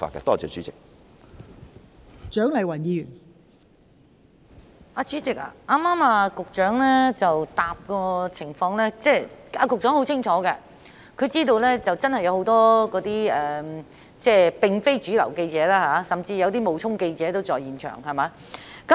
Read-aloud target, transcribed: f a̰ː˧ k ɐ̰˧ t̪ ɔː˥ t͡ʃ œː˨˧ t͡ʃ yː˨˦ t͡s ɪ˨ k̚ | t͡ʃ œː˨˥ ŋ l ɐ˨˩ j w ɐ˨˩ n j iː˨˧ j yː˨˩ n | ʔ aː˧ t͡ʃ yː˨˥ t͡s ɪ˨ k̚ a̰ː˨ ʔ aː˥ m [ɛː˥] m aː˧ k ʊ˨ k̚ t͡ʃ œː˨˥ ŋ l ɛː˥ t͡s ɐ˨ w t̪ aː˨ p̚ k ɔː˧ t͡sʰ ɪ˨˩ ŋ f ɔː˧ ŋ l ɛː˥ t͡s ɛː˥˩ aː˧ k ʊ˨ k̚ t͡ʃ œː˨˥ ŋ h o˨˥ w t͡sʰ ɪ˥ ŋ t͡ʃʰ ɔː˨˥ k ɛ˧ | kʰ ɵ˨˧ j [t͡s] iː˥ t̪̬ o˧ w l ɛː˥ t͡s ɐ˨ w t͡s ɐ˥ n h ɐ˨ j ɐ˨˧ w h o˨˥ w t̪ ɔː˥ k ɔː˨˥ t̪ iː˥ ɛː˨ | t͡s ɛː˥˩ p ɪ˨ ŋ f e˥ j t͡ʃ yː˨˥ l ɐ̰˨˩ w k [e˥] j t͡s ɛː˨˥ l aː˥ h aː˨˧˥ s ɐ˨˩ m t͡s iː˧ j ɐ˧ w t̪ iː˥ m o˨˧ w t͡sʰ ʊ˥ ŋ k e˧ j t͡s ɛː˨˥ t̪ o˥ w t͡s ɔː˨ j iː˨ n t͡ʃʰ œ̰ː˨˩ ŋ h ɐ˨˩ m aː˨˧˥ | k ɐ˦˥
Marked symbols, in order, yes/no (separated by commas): no, yes, no